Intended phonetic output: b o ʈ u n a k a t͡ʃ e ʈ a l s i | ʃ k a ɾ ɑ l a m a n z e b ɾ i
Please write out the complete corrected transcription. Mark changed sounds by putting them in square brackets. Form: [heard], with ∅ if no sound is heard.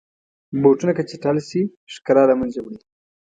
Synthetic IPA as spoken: b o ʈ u n a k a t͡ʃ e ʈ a l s i | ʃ k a ɾ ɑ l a m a n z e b [ɽ] i